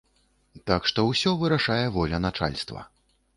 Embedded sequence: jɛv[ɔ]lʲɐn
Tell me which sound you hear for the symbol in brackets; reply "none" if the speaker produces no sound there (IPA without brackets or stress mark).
ɔ